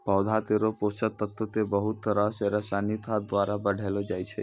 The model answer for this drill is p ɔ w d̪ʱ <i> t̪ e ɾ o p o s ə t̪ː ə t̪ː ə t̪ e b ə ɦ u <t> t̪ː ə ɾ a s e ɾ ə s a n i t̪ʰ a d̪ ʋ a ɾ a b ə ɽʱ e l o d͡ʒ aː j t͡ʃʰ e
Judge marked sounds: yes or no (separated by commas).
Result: no, yes